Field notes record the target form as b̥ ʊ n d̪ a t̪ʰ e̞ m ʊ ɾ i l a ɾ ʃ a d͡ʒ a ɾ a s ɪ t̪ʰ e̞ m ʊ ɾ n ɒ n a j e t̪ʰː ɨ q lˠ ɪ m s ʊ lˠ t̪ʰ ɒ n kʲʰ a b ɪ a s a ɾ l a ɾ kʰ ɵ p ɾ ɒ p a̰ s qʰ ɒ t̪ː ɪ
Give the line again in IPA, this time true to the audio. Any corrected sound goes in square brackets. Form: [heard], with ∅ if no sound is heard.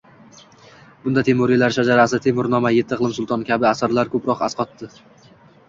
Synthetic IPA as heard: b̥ ʊ n d̪ a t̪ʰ e̞ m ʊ ɾ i l a ɾ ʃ a d͡ʒ a ɾ a s ɪ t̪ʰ e̞ m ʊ ɾ n ɒ [m] a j e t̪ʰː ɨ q lˠ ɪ m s ʊ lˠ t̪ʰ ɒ n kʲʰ a b ɪ a s a ɾ l a ɾ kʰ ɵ p ɾ ɒ [q] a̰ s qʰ ɒ t̪ː ɪ